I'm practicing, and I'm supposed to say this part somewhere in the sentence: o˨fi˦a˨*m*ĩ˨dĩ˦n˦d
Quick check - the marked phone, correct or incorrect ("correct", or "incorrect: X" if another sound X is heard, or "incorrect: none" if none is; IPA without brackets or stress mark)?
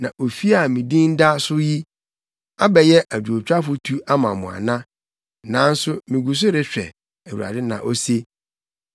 correct